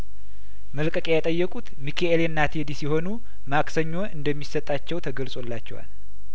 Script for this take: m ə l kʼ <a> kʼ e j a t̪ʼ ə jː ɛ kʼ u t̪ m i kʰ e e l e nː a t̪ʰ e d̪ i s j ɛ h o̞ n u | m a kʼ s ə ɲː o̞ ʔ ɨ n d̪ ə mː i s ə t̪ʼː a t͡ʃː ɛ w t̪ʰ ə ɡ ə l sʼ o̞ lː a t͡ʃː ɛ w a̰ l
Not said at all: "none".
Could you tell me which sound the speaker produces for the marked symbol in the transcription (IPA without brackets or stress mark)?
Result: ə